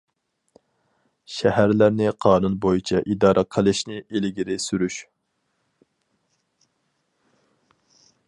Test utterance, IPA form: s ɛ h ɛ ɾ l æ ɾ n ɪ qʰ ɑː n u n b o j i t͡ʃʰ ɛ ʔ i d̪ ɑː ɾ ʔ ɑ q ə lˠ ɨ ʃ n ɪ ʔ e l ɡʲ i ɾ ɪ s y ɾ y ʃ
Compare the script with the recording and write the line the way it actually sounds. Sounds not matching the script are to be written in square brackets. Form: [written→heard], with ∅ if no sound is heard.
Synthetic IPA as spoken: [s→ʃ] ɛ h [ɛ→æ] ɾ l æ ɾ n ɪ qʰ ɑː n u n b o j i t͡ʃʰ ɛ ʔ i d̪ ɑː ɾ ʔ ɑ [q→qʰ] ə lˠ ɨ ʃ n ɪ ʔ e l ɡʲ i ɾ ɪ s y ɾ y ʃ